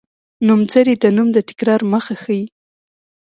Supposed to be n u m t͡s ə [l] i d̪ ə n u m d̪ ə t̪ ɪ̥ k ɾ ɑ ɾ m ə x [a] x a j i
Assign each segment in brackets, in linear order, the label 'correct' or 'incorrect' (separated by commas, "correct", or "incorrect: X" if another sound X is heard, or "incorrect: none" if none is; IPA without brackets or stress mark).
incorrect: ɾ, correct